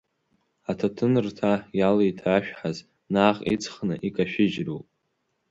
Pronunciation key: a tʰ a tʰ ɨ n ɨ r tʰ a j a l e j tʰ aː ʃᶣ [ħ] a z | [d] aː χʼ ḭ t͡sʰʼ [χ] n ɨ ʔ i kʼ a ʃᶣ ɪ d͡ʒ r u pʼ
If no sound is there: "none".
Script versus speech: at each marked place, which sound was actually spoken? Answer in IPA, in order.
ħ, n, χ

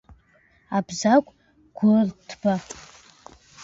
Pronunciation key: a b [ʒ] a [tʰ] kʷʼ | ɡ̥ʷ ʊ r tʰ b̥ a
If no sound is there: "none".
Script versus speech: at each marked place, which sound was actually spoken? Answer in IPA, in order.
z, none

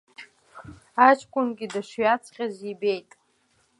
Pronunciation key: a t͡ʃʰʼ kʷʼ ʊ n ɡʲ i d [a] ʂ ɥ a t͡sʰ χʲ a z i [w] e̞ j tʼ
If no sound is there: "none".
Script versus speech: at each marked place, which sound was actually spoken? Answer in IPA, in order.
a, b

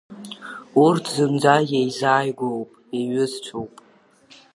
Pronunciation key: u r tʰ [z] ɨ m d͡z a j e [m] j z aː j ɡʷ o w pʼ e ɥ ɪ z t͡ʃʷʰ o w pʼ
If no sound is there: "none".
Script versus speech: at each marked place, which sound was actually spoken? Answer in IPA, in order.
z, none

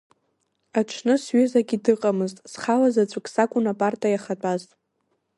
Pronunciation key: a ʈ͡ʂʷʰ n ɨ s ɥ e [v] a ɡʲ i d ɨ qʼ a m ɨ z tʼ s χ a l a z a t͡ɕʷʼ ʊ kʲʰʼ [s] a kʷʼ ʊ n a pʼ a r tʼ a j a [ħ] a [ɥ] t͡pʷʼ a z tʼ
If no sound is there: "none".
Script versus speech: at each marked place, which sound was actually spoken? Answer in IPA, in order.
z, s, χ, none

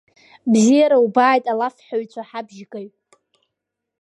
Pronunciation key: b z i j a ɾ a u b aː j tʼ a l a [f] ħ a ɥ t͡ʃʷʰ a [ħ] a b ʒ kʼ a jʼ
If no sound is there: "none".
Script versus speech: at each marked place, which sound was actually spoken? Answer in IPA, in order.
f, ħ

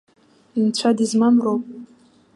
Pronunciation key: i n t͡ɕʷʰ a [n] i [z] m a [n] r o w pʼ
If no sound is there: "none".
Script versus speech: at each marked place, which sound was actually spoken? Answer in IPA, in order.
d, z, m

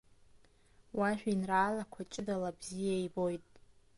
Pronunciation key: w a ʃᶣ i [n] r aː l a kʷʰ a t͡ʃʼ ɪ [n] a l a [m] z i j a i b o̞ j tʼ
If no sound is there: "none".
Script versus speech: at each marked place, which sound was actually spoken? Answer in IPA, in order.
n, d, b

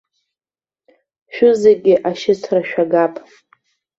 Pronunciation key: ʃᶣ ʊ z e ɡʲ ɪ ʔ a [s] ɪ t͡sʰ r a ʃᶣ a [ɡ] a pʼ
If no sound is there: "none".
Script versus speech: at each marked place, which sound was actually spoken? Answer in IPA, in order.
ʃ, ɡ

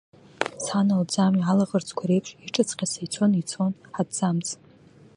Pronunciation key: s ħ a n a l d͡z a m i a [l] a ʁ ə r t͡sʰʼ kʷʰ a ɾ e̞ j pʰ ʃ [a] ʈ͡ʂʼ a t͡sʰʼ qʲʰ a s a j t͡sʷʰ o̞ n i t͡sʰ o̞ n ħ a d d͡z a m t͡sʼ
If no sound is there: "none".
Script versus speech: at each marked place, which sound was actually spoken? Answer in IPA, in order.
l, i

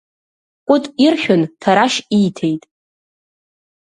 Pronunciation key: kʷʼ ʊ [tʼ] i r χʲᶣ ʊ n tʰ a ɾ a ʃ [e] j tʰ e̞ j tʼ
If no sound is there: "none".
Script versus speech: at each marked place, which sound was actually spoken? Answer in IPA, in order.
tʼ, i

